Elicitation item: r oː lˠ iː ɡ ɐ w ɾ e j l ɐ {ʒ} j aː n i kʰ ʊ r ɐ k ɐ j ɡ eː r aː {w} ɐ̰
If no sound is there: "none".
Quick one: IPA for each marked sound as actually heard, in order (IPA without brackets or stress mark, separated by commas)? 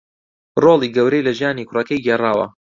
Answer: ʒ, w